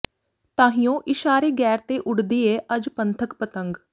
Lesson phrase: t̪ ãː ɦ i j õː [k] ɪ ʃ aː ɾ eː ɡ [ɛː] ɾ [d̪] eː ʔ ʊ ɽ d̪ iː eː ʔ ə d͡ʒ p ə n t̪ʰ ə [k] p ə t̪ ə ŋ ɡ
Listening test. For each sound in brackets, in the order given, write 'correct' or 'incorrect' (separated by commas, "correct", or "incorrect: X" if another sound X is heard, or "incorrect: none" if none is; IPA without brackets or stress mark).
incorrect: ʔ, correct, incorrect: t̪, correct